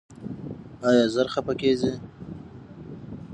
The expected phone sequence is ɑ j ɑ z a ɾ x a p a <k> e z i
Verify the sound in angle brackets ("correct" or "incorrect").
correct